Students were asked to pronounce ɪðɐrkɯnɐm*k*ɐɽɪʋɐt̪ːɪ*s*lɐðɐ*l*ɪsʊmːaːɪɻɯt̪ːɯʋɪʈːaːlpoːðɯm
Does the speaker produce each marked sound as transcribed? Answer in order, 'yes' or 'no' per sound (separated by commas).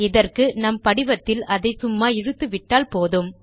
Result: no, no, no